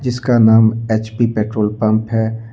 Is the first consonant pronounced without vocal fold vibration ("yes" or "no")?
no